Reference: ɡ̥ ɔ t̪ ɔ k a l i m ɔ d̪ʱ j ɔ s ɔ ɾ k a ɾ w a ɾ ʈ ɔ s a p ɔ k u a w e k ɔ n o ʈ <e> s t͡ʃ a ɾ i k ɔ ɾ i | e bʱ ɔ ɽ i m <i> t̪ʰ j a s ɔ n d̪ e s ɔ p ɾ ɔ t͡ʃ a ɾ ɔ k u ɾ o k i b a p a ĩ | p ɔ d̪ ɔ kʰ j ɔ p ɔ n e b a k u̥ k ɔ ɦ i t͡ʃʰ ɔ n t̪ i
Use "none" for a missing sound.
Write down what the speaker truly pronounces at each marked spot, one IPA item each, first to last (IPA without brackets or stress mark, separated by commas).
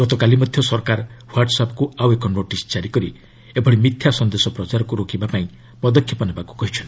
i, i